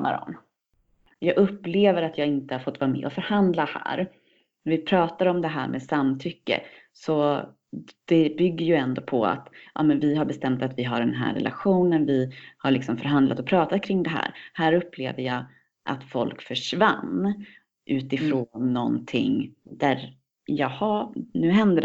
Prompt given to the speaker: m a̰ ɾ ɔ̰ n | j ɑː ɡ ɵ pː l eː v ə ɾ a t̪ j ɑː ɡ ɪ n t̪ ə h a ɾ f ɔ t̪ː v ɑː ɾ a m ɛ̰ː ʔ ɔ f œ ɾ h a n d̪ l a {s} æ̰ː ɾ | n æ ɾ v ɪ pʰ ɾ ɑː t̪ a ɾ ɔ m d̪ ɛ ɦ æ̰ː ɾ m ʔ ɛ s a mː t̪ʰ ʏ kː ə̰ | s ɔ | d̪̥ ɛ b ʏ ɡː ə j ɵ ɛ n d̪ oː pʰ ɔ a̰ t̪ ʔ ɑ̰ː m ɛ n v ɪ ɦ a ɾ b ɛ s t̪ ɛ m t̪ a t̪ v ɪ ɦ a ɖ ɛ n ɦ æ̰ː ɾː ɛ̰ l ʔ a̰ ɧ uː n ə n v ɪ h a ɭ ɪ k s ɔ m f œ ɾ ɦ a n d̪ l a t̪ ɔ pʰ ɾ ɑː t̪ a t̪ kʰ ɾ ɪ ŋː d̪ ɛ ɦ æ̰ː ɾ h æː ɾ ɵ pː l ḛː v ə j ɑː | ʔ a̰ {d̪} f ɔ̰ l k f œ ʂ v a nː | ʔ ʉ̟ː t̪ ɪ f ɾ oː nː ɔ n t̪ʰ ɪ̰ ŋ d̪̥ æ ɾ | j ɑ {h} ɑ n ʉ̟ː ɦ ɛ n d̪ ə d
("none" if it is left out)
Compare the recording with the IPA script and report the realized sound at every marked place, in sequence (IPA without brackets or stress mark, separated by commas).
h, t̪, h